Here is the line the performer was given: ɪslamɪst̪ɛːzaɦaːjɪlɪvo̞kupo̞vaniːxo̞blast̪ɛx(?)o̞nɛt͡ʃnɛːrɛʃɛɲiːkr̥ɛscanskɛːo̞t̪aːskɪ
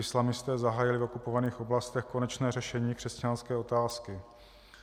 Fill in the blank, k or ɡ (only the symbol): k